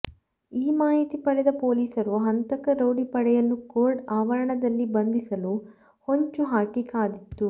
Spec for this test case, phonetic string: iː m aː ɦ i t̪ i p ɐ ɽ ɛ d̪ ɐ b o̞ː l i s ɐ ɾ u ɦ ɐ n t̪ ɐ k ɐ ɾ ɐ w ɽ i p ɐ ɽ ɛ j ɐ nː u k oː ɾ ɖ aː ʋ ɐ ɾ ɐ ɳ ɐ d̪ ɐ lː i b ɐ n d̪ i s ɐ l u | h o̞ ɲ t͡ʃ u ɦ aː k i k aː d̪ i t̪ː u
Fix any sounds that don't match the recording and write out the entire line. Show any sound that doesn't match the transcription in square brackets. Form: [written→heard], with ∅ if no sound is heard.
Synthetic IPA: iː m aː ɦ i t̪ i p ɐ ɽ ɛ d̪ ɐ [b→p] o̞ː l [i→iː] s ɐ ɾ u ɦ ɐ n t̪ ɐ k ɐ ɾ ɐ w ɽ i p ɐ ɽ ɛ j ɐ nː u k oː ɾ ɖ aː ʋ ɐ ɾ ɐ ɳ ɐ d̪ ɐ lː i b ɐ n d̪ i s ɐ l u | h o̞ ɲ t͡ʃ u ɦ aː k i k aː d̪ i t̪ː u